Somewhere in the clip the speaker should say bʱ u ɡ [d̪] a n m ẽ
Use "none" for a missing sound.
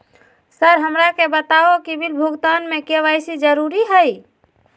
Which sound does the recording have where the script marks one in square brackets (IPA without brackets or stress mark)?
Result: t̪